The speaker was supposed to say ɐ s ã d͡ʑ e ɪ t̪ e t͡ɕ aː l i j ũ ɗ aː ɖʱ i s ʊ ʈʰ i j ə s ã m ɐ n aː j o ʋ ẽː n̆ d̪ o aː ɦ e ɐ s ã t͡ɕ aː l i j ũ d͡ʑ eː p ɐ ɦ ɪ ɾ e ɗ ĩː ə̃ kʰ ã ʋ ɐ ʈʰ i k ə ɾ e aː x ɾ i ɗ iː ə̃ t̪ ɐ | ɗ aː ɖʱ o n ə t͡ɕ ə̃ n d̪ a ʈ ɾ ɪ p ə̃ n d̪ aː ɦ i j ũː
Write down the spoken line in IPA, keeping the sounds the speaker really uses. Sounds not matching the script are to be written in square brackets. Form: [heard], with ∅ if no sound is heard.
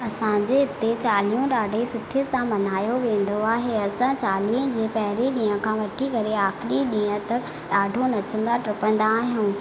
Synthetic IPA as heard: ɐ s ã d͡ʑ e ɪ t̪ e t͡ɕ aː l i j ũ ɗ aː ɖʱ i s ʊ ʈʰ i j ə s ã m ɐ n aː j o ʋ ẽː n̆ d̪ o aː ɦ e ɐ s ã t͡ɕ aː l i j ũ d͡ʑ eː p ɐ ɦ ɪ ɾ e ɗ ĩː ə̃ kʰ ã ʋ ɐ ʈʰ i k [ɐ] ɾ e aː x ɾ i ɗ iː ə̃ t̪ ɐ | ɗ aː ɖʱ o n [ɐ] t͡ɕ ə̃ n d̪ a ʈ ɾ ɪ p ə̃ n d̪ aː ɦ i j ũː